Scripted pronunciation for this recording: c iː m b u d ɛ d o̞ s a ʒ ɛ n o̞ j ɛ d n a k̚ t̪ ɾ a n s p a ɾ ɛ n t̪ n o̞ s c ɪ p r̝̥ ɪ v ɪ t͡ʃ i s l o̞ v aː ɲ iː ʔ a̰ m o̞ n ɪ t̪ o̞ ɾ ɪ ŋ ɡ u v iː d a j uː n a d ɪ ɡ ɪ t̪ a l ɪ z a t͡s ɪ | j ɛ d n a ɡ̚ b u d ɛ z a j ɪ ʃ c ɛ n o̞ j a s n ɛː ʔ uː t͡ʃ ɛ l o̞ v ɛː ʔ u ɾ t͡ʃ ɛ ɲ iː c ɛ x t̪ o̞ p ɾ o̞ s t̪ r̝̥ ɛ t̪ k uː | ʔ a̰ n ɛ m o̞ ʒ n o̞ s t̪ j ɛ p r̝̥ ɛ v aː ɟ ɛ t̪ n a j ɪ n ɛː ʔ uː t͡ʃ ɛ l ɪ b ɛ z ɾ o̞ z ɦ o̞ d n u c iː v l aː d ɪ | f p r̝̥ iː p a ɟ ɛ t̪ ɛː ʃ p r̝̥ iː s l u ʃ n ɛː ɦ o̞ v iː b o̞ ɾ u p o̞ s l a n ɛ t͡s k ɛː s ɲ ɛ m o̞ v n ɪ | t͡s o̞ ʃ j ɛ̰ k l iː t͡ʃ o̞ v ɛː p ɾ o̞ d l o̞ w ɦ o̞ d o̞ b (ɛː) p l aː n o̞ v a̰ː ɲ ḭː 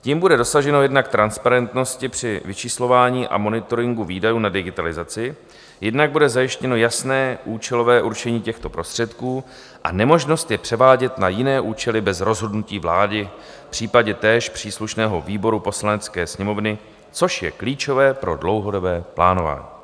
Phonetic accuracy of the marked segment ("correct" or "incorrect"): correct